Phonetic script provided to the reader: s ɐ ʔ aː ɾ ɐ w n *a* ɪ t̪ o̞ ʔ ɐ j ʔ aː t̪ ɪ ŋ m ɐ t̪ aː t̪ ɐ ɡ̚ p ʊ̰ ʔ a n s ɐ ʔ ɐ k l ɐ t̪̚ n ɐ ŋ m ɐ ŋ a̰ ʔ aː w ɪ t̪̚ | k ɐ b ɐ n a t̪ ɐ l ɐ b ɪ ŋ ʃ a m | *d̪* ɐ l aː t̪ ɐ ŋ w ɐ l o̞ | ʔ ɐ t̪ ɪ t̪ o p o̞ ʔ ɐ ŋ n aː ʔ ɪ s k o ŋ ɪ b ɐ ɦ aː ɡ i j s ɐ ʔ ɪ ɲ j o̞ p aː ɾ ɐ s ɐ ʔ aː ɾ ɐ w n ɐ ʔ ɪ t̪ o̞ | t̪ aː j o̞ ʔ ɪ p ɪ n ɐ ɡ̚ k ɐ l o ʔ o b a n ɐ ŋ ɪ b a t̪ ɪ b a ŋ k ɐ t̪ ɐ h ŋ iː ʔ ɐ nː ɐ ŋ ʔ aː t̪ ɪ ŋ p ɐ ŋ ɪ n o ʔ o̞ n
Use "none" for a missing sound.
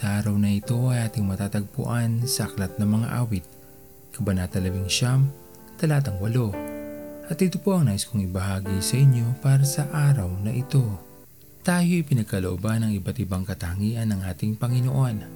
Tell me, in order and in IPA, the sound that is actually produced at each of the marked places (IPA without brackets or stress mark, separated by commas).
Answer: ɐ, t̪